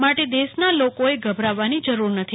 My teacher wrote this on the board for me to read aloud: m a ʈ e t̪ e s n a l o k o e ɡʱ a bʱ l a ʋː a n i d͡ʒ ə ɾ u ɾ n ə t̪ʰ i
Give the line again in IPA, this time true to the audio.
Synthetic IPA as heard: m a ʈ e d̪ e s n a l o k o e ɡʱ ə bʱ ɾ a ʋː a n i d͡ʒ ə ɾ u ɾ n ə t̪ʰ i